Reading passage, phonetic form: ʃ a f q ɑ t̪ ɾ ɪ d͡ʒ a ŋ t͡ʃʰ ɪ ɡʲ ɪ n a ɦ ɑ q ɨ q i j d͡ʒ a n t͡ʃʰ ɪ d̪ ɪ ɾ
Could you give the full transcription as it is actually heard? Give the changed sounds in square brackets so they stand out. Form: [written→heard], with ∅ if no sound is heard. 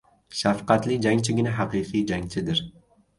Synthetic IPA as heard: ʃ a f q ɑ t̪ [ɾ→l] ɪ d͡ʒ a ŋ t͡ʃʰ ɪ ɡʲ ɪ n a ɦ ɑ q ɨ q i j d͡ʒ a [n→ŋ] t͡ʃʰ ɪ d̪ ɪ ɾ